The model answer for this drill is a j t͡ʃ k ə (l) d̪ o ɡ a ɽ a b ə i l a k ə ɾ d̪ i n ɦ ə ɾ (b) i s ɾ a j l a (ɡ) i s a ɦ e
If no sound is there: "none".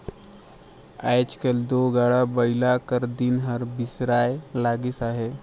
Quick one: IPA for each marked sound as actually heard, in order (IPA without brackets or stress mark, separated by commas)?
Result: l, b, ɡ